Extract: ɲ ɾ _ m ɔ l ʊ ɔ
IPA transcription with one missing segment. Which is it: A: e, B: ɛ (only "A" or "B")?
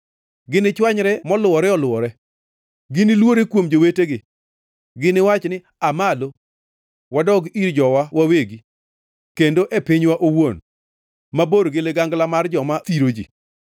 B